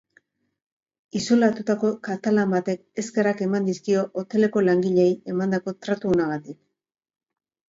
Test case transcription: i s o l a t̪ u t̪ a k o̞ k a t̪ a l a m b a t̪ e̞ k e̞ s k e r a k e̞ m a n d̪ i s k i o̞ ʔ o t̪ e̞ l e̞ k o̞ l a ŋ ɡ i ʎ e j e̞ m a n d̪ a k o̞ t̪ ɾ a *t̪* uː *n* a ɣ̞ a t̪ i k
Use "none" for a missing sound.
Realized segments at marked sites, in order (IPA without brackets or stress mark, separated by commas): t̪, n